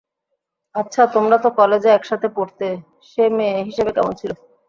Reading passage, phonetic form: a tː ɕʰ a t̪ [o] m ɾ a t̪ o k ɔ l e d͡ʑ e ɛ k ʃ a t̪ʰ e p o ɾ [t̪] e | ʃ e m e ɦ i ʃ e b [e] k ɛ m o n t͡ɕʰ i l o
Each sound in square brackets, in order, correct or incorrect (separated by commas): correct, correct, correct